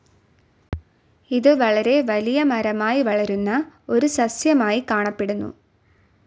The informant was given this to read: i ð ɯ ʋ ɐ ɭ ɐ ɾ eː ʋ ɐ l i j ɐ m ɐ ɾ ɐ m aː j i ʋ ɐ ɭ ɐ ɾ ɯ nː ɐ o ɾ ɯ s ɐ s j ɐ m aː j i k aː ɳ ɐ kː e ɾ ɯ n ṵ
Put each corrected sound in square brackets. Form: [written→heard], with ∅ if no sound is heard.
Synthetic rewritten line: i ð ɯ ʋ ɐ ɭ ɐ ɾ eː ʋ ɐ l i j ɐ m ɐ ɾ ɐ m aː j i ʋ ɐ ɭ ɐ ɾ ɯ nː ɐ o ɾ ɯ s ɐ s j ɐ m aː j i k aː ɳ ɐ [kː→pː] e [ɾ→ɽ] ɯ [n→nː] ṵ